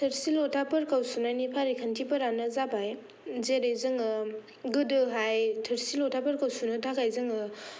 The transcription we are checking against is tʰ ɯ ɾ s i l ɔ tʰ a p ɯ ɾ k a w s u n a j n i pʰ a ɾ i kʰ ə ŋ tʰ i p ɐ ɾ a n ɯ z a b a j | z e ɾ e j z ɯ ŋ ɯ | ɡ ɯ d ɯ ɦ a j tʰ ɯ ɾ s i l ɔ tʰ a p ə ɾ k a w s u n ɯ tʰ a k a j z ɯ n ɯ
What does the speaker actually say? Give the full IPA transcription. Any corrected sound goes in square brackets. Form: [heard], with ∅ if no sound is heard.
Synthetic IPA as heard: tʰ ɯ ɾ s i l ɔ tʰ a p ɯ ɾ k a w s u n a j n i pʰ a ɾ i kʰ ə [n] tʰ i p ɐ ɾ a n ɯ z a b a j | z e ɾ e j z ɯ ŋ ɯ | ɡ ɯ d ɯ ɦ a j tʰ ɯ ɾ s i l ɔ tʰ a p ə ɾ k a w s u n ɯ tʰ a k a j z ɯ [ŋ] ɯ